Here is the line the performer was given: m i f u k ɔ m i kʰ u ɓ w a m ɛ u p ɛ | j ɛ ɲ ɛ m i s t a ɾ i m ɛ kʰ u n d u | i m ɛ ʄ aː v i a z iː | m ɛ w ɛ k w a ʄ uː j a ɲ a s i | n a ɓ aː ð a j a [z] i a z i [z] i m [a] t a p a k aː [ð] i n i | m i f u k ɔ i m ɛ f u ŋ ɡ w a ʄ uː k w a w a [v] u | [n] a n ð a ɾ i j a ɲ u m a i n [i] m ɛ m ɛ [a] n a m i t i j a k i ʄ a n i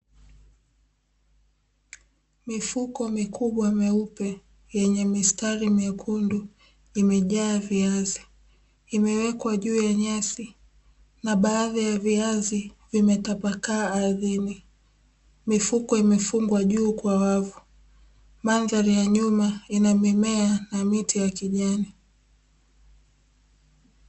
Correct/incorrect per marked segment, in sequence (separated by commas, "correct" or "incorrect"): incorrect, incorrect, incorrect, correct, correct, incorrect, incorrect, correct